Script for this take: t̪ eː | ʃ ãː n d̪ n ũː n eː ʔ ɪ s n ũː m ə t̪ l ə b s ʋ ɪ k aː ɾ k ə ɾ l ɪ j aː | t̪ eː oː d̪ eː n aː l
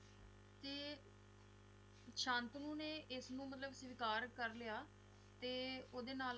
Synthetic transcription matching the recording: t̪ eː | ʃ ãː n t̪ n ũː n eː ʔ ɪ s n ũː m ə t̪ l ə b s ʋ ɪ k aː ɾ k ə ɾ l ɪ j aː | t̪ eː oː d̪ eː n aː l

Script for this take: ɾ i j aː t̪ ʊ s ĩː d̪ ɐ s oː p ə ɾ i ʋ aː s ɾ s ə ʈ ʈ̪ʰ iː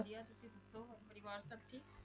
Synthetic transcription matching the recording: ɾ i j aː t̪ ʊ s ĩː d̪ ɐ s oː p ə ɾ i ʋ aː ɾ s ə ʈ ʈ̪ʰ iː

